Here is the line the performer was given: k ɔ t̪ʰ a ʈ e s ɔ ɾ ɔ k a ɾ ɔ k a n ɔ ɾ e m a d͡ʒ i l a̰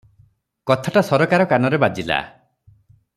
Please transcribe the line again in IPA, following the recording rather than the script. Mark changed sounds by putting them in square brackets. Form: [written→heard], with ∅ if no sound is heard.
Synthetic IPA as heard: k ɔ t̪ʰ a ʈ [e→a] s ɔ ɾ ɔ k a ɾ ɔ k a n ɔ ɾ e [m→b] a d͡ʒ i l a̰